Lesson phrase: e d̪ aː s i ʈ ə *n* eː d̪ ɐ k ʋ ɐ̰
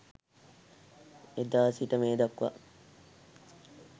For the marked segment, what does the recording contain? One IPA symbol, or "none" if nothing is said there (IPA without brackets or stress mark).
m